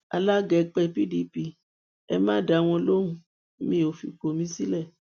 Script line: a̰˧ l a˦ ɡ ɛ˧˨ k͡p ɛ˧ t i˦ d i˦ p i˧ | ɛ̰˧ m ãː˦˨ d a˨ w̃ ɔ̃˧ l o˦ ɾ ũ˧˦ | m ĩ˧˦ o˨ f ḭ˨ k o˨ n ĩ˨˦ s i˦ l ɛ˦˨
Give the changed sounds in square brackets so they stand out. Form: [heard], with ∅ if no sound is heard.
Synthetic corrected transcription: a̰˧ l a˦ ɡ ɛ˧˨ k͡p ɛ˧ [p] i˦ d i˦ p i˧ | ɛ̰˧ m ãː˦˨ d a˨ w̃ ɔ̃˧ l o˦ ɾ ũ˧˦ | m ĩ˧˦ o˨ f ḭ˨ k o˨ [m] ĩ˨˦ s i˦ l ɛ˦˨

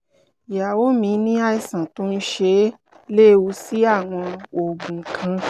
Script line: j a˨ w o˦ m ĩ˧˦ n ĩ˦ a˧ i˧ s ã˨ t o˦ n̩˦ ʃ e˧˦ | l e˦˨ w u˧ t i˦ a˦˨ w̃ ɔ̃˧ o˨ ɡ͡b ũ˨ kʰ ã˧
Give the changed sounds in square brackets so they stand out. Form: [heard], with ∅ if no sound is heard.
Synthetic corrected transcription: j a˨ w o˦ m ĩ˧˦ n ĩ˦ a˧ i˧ s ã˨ t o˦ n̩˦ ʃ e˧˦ | l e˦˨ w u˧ [s] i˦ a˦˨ w̃ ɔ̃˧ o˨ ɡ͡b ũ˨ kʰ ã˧

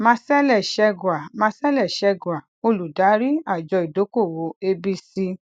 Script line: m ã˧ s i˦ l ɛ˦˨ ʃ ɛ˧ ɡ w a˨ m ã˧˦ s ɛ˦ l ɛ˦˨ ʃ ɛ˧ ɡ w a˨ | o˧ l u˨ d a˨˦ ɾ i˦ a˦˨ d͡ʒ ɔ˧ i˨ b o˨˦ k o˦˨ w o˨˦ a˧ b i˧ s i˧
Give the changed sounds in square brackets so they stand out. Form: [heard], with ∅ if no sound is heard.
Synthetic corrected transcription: m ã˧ s [ɛ˦] l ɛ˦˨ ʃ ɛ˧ ɡ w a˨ m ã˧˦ s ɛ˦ l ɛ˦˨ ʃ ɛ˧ ɡ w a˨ | o˧ l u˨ d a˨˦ ɾ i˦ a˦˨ d͡ʒ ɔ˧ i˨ [d] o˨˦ k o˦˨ w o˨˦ [e˧] b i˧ s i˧

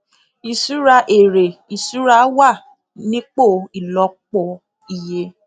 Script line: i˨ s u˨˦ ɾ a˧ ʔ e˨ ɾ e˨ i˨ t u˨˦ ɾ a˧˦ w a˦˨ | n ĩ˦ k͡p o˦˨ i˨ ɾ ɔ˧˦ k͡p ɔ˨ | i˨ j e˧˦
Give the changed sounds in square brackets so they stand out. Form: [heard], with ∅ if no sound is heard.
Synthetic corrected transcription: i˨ s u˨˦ ɾ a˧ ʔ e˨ ɾ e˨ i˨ [s] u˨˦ ɾ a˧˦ w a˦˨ | n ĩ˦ k͡p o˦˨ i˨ [l] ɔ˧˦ k͡p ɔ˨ | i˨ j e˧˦

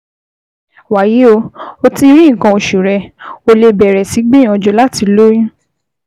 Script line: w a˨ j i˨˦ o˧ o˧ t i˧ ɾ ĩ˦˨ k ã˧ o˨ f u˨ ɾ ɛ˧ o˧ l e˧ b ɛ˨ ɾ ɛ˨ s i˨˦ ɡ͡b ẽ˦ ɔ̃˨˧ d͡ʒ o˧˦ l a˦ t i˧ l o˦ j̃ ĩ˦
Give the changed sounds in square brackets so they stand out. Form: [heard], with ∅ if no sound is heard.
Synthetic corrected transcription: w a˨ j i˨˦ o˧ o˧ t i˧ ɾ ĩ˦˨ k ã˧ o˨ [ʃ] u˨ ɾ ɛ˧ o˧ l e˧ b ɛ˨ ɾ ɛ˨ s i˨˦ ɡ͡b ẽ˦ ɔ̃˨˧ d͡ʒ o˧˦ l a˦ t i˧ l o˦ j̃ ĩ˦

